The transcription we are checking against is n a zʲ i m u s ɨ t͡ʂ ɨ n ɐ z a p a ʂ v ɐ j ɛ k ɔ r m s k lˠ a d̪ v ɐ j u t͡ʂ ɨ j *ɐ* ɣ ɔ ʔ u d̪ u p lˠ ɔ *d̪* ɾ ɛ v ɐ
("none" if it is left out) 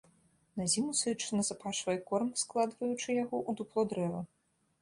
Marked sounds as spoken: a, d̪

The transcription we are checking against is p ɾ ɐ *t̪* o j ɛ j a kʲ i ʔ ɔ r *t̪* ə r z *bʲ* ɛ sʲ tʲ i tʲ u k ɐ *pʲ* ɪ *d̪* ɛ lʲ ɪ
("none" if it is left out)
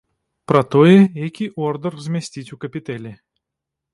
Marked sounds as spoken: t̪, d̪, mʲ, pʲ, t̪

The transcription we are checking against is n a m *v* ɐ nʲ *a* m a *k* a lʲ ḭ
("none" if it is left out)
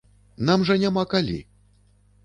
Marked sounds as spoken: ʐ, a, k

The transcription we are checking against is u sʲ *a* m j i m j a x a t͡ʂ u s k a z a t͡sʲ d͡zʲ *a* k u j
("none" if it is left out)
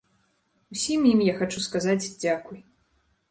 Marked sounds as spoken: i, a

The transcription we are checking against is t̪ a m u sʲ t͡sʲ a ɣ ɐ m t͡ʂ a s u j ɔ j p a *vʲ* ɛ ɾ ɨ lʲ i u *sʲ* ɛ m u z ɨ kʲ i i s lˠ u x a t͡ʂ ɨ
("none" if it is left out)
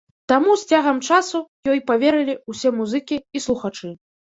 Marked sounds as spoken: vʲ, sʲ

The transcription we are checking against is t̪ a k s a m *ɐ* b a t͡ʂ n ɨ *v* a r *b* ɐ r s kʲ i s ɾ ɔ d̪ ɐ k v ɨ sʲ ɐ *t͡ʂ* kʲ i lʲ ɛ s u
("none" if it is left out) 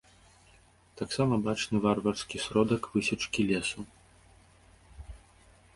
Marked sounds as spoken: ɐ, v, v, t͡ʂ

